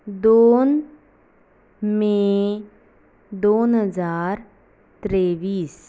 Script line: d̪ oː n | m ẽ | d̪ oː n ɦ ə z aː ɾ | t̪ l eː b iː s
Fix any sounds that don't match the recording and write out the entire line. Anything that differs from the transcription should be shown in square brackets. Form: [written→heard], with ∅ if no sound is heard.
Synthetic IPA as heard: d̪ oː n | m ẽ | d̪ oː n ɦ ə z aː ɾ | t̪ [l→ɾ] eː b iː s